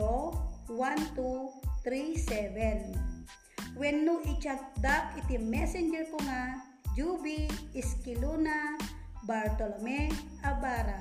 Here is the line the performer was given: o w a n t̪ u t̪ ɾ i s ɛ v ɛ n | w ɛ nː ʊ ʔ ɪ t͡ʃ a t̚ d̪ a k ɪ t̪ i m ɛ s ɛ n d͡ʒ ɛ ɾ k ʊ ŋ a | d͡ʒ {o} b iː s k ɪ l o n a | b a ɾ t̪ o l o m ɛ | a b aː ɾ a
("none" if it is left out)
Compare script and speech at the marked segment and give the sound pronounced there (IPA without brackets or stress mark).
u